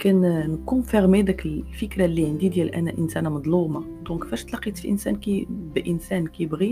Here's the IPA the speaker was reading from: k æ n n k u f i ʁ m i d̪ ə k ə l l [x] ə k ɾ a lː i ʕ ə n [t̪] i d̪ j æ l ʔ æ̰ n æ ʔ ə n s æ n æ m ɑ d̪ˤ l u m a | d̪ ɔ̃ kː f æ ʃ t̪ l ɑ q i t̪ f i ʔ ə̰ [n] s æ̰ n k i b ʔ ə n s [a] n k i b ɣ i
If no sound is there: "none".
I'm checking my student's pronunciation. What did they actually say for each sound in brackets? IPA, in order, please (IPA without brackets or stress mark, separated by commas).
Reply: f, d̪, n, æ